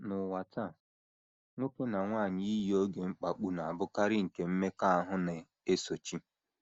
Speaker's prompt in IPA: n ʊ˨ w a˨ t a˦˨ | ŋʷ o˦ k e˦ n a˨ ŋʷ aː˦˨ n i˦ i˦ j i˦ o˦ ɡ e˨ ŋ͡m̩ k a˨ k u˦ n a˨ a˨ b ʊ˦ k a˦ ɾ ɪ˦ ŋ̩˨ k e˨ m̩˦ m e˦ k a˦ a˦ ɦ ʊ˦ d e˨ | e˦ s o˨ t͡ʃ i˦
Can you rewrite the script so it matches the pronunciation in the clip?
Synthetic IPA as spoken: n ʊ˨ w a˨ t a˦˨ | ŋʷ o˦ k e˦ n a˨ ŋʷ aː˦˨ ɲ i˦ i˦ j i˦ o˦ ɡ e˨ ŋ͡m̩ k͡p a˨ k͡p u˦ n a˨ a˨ b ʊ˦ k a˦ ɾ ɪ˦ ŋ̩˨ k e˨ m̩˦ m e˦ k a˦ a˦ ɦ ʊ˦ n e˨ | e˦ s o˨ t͡ʃ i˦